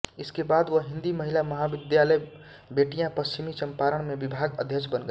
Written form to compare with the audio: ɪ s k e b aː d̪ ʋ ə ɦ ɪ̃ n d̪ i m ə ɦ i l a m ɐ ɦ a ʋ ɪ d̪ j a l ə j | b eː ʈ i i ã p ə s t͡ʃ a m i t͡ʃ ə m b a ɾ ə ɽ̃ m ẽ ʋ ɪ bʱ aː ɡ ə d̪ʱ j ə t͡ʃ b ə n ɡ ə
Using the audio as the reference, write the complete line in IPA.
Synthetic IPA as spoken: ɪ s k e b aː d̪ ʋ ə ɦ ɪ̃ n d̪ i m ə ɦ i l a m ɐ ɦ a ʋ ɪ d̪ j a l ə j | b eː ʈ i j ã p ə s t͡ʃ i m i t͡ʃ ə m p a ɾ ə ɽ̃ m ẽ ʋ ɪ bʱ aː ɡ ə d̪ʱ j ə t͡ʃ b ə n ɡ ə